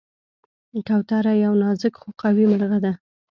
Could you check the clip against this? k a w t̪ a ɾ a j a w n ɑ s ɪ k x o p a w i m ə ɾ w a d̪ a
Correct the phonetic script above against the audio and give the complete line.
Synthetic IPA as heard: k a w t̪ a ɾ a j a w n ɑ z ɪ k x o q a w i m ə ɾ ɣ a d̪ a

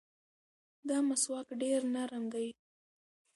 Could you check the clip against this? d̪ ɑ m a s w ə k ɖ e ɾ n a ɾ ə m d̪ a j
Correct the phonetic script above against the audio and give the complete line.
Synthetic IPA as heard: d̪ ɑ m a s w ɑ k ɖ e ɾ n a ɾ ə m d̪ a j

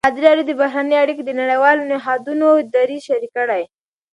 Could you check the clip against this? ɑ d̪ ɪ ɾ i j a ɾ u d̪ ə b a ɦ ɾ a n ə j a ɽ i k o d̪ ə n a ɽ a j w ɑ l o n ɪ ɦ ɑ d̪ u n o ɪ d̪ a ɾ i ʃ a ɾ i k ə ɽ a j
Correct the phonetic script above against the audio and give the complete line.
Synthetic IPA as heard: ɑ d̪ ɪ ɾ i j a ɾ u d̪ ə b a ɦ ɾ a n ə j a ɽ i k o d̪ ə n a ɽ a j w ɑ l o n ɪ ɦ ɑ d̪ u n o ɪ d̪ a ɾ i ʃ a ɾ i k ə ɽ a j

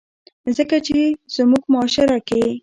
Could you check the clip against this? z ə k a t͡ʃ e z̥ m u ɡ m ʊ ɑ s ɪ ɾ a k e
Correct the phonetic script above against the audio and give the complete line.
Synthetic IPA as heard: z ə k a t͡ʃ e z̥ m u ɡ m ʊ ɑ ʃ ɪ ɾ a k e

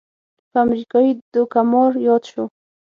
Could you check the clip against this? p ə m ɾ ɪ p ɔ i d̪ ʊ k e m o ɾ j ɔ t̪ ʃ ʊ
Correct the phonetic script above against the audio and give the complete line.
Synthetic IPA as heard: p a m ɾ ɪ k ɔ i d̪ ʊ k a m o ɾ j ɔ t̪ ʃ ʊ

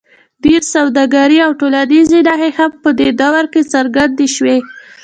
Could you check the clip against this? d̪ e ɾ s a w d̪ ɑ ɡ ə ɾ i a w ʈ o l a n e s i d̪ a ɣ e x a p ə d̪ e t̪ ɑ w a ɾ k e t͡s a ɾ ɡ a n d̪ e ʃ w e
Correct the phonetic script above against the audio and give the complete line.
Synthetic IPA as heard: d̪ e ɾ s a w d̪ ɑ ɡ a ɾ i a w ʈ o l a n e z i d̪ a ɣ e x a p ə d̪ e d̪ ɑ w a ɾ k e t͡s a ɾ ɡ a n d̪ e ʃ w e

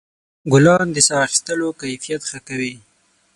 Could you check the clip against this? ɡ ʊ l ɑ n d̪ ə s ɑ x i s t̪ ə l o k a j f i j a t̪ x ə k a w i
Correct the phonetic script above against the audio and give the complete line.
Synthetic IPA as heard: ɡ ʊ l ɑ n d̪ ə s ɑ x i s t̪ ə l o k a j f i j a t̪ x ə k a w i

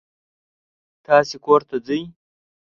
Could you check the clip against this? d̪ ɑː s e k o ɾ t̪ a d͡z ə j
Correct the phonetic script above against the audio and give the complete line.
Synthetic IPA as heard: t̪ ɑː s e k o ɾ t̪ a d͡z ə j

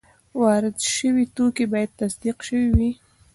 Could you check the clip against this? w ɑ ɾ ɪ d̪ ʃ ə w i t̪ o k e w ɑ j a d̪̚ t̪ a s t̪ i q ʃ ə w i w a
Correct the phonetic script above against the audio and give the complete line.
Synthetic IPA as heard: w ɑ ɾ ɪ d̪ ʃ ə w i t̪ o k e b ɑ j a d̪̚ t̪ a s d̪ i q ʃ ə w i w i

